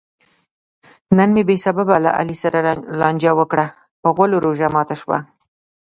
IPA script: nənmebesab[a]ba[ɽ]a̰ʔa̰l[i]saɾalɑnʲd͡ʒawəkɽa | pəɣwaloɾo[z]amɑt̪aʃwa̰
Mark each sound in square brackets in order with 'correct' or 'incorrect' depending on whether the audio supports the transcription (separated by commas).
correct, incorrect, correct, incorrect